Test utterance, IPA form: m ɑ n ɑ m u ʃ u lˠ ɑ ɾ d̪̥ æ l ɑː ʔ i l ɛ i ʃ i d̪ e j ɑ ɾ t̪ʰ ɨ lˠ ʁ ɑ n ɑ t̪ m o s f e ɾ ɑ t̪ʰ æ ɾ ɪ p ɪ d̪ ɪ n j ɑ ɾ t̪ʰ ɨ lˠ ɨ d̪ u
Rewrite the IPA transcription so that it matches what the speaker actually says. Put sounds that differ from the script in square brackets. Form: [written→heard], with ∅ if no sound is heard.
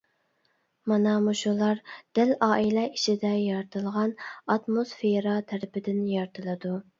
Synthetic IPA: m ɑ n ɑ m u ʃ u lˠ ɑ ɾ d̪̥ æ l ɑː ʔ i l ɛ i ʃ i d̪ [e→ɛ] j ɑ ɾ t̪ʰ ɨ lˠ ʁ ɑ n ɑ t̪ m o s f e ɾ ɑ t̪ʰ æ ɾ ɪ p ɪ d̪ ɪ n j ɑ ɾ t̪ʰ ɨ lˠ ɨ d̪ u